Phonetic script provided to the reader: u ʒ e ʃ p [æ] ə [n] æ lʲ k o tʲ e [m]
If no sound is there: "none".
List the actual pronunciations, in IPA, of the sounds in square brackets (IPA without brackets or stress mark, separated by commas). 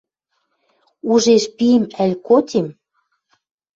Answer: i, m, m